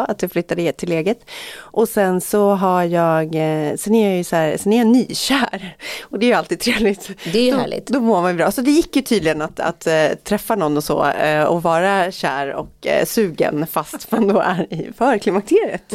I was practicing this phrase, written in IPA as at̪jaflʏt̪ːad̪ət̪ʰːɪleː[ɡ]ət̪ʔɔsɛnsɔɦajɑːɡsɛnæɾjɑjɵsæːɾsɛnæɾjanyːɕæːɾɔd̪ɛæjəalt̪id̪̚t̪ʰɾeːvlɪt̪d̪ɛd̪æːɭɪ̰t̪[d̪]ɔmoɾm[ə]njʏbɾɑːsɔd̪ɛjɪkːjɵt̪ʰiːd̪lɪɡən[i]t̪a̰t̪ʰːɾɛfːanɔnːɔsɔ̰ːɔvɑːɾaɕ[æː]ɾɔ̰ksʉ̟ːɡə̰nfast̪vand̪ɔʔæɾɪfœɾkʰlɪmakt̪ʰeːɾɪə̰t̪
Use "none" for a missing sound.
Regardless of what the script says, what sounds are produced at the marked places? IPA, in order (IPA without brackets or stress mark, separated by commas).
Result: ɡ, d̪, a, a, æː